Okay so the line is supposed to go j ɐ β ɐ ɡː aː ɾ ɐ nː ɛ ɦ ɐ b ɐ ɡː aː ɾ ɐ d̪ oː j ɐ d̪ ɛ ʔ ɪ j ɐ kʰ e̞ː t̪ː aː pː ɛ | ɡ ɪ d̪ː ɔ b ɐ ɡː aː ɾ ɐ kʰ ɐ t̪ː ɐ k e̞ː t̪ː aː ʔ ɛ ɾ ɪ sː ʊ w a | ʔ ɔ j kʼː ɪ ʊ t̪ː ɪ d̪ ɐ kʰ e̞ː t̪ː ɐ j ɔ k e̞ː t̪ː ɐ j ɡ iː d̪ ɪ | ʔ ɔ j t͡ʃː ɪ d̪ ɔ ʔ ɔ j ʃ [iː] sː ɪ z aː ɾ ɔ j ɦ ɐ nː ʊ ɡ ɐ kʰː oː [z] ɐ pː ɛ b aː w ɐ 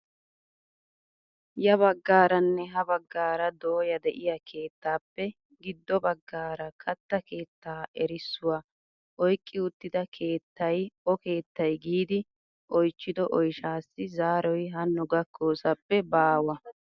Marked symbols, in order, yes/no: no, no

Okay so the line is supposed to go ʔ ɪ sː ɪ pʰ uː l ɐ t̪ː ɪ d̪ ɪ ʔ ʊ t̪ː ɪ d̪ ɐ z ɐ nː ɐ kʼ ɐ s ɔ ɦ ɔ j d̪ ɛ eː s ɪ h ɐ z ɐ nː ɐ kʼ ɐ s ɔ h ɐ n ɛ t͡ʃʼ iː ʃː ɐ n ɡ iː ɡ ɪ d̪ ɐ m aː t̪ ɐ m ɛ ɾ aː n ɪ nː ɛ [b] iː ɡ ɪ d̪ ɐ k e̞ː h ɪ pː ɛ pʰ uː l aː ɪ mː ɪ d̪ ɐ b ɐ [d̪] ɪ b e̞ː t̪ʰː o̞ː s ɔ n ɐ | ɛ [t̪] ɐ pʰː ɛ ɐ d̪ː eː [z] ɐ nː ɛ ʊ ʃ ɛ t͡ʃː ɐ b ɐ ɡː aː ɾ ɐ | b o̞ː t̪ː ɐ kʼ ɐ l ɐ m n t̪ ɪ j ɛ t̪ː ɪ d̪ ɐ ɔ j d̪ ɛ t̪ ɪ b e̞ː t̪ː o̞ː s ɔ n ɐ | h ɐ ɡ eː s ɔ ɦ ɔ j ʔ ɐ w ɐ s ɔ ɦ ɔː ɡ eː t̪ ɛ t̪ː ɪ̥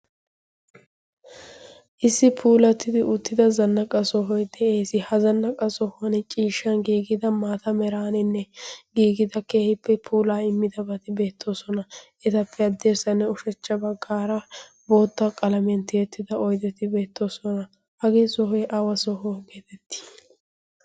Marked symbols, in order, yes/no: no, no, yes, no

